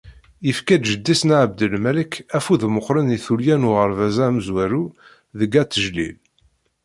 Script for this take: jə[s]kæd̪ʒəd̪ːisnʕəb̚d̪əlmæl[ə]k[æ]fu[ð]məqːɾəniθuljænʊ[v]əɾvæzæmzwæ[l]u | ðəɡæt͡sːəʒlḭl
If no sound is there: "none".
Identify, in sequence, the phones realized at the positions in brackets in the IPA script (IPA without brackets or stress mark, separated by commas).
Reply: f, ə, æ, ð, ʁ, ɾ